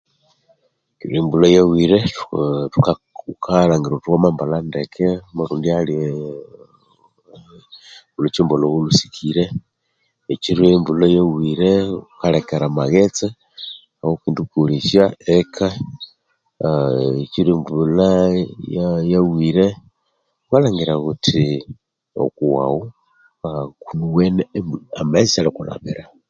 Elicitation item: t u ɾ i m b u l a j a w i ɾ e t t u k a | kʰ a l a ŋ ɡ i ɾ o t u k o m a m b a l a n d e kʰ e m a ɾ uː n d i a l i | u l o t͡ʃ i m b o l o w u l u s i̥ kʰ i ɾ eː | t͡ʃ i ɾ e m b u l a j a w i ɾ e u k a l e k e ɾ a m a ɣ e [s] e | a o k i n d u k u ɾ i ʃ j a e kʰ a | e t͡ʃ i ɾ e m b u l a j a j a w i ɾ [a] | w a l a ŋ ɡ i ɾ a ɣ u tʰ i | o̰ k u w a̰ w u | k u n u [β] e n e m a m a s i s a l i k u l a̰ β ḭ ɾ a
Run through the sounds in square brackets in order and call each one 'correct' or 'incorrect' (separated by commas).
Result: incorrect, incorrect, incorrect